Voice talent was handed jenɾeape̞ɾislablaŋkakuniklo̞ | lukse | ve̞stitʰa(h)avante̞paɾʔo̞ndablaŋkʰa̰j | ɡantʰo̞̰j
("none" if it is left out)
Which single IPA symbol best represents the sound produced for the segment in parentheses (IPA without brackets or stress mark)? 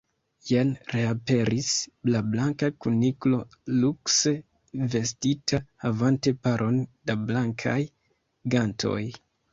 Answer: h